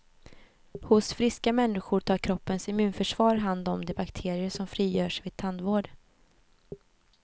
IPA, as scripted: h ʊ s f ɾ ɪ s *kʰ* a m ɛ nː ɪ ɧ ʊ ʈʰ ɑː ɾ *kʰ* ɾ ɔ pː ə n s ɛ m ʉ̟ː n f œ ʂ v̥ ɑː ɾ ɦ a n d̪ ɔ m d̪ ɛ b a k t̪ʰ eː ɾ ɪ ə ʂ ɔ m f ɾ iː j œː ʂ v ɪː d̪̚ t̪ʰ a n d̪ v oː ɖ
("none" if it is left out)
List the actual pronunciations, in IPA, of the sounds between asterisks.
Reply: k, kʰ

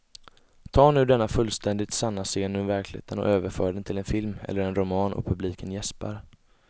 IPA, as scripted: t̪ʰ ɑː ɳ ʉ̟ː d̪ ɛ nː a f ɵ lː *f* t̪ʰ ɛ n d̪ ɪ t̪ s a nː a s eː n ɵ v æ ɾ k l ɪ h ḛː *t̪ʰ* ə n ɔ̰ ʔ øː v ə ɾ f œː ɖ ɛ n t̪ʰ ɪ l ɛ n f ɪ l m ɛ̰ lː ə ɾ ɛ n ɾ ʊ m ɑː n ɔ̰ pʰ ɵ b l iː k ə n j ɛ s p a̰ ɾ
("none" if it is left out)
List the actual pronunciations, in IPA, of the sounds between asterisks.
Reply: s, t̪

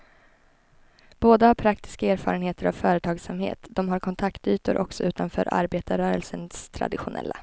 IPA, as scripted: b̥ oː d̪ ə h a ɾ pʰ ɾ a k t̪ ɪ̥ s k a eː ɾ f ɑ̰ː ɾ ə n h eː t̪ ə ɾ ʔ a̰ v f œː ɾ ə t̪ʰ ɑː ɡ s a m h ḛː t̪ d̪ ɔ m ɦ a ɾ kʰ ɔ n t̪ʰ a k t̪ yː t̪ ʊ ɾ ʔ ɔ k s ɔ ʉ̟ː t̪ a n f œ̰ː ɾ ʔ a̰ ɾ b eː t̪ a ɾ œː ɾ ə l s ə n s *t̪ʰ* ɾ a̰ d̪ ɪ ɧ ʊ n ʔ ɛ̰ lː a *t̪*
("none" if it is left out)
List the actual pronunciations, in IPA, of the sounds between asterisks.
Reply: t̪ʰ, none

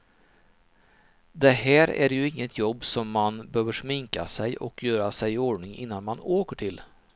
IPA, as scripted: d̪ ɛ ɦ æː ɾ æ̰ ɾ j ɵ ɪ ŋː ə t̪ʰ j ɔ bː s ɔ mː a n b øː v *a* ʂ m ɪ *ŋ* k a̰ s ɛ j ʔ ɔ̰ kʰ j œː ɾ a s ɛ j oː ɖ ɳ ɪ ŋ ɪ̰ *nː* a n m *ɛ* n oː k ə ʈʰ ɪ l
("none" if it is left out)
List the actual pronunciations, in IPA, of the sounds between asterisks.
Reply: ə, ŋ, nː, a

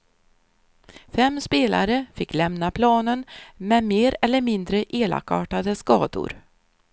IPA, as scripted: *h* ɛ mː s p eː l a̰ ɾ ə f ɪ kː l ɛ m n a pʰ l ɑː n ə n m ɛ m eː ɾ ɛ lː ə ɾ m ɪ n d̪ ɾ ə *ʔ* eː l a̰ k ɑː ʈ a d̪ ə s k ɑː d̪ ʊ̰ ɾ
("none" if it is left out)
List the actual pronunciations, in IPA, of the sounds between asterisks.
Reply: f, ʔ

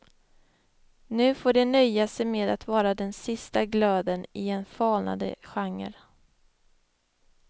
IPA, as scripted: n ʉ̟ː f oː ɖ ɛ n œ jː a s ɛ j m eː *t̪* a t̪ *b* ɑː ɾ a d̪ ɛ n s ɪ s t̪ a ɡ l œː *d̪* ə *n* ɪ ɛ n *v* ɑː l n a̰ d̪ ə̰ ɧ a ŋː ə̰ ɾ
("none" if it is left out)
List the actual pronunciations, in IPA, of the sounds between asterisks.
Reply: d̪, v, d̪, n, f

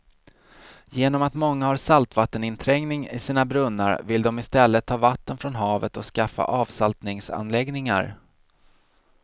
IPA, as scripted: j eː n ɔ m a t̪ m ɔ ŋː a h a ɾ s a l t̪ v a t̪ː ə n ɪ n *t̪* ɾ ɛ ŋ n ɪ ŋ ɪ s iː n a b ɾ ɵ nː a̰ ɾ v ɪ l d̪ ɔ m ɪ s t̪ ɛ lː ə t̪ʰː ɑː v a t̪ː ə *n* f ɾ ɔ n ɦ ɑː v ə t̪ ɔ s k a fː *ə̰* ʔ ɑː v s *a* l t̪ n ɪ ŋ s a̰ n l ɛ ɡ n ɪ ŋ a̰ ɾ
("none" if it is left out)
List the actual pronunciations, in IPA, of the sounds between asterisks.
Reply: t̪ʰ, n, a̰, a

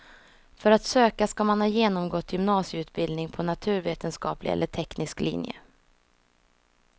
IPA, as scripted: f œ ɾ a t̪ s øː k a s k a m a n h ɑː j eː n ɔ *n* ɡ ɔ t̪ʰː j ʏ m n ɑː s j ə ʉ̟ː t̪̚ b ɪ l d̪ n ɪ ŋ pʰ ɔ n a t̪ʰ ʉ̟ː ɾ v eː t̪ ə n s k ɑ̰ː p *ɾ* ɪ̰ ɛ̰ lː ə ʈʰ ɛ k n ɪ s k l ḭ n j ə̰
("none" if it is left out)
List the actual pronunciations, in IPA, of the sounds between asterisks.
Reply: m, l

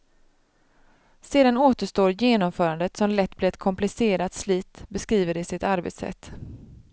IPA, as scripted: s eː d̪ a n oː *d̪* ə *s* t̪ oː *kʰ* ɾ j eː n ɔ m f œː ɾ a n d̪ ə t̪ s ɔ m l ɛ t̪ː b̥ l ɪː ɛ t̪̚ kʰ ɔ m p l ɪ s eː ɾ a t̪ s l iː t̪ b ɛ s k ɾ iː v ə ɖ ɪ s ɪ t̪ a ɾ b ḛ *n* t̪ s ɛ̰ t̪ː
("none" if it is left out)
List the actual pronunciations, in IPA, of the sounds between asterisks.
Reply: t̪, ʂ, none, none

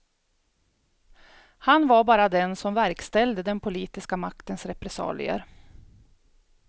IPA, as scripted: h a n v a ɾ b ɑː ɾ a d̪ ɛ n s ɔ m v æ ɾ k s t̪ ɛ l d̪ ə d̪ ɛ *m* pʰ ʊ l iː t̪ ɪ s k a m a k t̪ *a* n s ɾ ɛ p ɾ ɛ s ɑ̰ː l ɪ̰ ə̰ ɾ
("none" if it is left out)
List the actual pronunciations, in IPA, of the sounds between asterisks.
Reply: n, ə

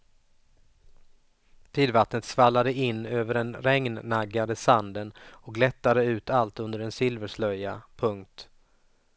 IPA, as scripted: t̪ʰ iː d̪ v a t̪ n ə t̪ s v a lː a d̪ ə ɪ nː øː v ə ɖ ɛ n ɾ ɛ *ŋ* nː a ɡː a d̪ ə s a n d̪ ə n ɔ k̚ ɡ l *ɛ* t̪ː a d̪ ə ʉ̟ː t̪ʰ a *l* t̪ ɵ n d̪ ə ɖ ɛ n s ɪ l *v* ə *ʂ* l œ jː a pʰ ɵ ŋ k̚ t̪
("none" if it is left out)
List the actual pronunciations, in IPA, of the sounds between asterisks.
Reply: ŋ, ɛ, l, v, ʂ

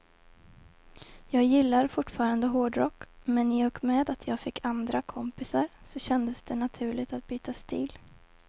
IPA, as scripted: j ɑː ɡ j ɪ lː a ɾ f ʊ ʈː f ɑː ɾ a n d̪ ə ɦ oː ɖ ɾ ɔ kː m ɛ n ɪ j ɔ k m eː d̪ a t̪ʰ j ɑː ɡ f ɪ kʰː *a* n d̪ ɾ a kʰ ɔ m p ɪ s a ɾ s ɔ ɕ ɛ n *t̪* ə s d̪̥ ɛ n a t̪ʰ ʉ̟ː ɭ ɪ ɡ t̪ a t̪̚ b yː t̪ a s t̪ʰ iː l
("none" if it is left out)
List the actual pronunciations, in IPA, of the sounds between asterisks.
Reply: a, d̪

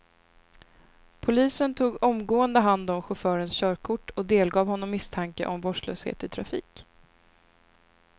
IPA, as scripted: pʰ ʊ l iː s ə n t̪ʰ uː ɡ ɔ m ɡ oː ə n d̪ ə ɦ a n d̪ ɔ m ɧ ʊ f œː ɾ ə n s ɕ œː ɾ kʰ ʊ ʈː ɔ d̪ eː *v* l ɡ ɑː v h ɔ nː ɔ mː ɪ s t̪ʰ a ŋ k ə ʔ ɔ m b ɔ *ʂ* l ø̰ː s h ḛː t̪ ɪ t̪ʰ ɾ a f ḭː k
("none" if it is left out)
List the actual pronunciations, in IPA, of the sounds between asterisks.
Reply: none, ʂ

